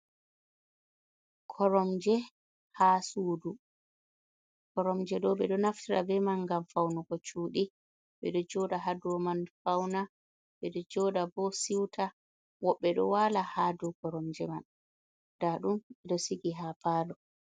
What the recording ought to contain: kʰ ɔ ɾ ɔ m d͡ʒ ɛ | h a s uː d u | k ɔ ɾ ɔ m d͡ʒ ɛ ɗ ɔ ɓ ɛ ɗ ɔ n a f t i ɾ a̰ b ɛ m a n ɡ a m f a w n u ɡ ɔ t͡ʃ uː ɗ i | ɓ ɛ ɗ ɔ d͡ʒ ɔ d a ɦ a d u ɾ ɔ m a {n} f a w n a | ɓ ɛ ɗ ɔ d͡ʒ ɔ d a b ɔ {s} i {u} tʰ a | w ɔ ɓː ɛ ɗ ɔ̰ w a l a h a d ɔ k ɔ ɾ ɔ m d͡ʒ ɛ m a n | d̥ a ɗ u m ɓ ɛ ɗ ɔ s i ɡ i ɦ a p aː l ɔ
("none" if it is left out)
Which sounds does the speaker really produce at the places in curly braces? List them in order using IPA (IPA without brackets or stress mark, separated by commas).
n, s, w